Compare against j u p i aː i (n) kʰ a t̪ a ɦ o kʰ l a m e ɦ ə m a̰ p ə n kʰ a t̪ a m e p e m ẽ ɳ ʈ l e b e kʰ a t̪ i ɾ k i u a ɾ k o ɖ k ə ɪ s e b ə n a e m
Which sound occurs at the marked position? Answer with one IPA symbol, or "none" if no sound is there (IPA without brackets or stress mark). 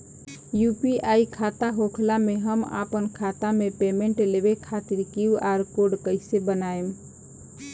none